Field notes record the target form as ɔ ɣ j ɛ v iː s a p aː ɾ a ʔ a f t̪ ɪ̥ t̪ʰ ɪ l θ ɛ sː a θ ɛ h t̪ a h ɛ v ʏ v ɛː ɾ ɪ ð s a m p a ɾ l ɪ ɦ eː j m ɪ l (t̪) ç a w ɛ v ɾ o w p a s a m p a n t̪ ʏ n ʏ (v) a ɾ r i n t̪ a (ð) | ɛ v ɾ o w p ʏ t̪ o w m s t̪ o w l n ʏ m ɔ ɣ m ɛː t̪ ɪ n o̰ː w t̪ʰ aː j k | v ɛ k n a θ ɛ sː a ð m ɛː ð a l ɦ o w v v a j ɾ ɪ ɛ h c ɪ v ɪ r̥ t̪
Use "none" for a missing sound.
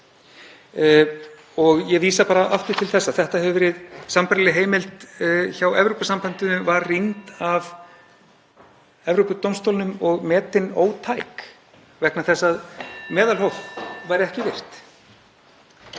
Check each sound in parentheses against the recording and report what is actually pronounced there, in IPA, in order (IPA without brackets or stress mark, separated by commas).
t̪, v, v